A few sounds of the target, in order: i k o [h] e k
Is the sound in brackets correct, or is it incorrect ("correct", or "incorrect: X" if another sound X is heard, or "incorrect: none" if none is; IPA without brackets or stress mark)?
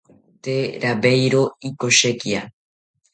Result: incorrect: ʃ